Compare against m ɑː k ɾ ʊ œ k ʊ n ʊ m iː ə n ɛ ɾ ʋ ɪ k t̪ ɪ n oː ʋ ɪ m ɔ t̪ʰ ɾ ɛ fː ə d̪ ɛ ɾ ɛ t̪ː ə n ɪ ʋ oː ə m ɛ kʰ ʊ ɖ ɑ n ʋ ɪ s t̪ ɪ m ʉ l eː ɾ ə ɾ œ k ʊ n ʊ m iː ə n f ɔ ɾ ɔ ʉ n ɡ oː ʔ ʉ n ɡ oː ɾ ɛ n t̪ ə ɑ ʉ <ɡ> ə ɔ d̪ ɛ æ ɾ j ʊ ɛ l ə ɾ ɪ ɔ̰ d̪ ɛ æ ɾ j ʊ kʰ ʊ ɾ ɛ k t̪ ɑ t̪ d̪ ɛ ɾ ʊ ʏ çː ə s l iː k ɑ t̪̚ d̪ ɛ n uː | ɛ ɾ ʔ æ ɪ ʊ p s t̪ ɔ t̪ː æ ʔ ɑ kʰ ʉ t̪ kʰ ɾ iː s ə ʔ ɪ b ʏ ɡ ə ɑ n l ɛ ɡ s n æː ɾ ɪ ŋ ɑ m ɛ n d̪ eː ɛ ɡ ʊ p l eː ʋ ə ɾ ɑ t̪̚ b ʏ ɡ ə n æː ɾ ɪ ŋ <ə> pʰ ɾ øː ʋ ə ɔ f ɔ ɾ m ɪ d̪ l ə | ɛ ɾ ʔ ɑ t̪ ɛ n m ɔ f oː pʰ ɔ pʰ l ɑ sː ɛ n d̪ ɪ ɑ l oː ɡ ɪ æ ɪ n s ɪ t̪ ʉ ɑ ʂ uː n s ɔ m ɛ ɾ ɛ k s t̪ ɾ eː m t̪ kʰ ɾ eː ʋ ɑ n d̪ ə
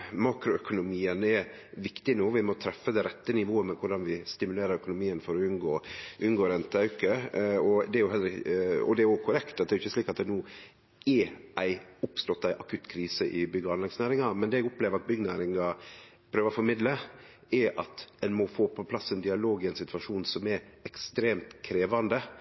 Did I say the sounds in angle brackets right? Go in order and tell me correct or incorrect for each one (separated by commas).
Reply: incorrect, incorrect